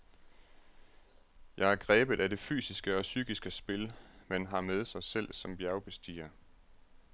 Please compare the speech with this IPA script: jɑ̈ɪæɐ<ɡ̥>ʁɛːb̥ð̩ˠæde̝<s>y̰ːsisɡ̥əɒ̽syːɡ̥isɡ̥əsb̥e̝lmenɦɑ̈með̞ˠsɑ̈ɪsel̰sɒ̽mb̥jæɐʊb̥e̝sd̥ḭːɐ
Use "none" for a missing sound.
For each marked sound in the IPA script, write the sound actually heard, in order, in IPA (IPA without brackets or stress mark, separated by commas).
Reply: ɡ̥, f